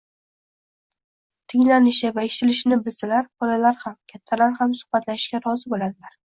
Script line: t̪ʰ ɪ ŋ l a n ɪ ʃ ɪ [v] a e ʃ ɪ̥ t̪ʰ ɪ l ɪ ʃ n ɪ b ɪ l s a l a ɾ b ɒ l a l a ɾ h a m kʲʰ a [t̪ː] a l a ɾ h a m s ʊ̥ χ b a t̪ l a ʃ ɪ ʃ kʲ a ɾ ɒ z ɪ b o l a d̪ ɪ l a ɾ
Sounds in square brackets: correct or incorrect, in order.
correct, incorrect: t̪ʰː

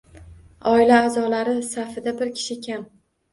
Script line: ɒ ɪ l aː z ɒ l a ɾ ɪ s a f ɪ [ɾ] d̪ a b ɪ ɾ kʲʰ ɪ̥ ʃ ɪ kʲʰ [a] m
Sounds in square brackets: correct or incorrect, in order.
incorrect: none, correct

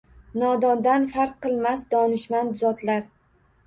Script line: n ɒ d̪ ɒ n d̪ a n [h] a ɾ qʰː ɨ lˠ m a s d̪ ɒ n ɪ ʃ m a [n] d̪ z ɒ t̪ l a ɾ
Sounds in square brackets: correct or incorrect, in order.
incorrect: f, correct

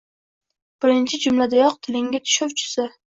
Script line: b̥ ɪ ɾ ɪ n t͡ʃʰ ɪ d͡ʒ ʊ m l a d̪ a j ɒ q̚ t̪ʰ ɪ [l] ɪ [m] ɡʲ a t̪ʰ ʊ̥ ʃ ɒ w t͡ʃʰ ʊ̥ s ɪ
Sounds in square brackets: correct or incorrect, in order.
correct, incorrect: ŋ

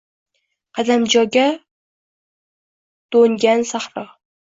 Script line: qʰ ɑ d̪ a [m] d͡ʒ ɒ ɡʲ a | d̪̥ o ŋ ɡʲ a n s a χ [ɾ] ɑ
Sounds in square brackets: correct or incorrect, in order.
correct, correct

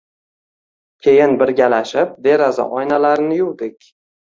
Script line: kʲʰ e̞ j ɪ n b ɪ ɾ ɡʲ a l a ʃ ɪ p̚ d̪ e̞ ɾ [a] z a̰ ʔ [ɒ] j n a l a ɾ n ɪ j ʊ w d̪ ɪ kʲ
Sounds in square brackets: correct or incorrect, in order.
correct, correct

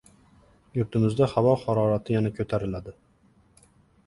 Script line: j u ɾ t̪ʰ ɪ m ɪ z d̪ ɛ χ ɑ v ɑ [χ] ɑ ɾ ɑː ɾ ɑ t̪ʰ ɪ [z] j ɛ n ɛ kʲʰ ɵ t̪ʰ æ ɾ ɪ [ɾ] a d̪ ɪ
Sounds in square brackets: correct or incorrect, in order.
correct, incorrect: none, incorrect: l

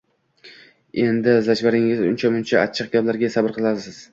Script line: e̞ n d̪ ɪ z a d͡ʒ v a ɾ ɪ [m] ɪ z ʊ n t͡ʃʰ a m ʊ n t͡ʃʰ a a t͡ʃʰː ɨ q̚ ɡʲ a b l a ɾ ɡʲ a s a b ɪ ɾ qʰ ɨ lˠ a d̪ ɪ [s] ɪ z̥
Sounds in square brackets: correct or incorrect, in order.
incorrect: ŋ, correct

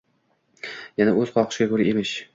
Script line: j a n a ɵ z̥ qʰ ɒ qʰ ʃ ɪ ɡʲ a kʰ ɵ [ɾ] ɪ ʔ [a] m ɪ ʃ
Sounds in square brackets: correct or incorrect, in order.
correct, incorrect: e

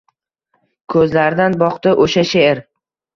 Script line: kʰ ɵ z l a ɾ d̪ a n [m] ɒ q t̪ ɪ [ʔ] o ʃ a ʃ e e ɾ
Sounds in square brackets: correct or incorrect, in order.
incorrect: b, correct

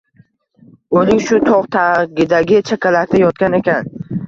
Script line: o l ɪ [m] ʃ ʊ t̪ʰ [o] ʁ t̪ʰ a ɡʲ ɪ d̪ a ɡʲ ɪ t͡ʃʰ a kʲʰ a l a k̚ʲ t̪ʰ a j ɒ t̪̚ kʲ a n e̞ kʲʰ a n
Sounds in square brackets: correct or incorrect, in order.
incorrect: ŋ, incorrect: ɒ

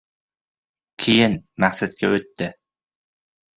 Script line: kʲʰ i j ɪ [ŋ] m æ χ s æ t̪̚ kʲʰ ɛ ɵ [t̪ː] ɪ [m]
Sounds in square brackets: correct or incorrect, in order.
incorrect: n, correct, incorrect: none

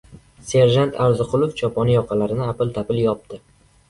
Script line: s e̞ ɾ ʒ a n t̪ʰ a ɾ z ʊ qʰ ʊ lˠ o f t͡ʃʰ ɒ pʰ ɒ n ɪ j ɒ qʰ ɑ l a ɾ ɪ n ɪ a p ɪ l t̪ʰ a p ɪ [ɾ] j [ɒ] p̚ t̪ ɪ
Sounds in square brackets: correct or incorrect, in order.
incorrect: l, correct

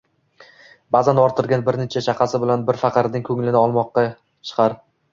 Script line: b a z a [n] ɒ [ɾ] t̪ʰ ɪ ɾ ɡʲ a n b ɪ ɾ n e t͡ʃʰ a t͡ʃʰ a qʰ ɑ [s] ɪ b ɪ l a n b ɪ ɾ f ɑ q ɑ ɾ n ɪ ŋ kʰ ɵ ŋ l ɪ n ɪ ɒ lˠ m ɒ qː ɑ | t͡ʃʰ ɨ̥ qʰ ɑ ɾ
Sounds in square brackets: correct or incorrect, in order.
correct, correct, correct

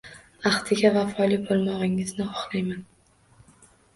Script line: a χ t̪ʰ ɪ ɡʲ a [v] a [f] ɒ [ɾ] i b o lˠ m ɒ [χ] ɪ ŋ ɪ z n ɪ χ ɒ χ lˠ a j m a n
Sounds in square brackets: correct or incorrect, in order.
correct, correct, incorrect: l, incorrect: ʁ

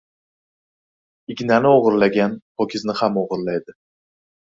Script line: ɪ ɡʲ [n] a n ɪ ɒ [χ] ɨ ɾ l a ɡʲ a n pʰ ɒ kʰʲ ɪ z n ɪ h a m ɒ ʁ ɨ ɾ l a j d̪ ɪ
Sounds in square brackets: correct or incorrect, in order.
correct, incorrect: ʁ

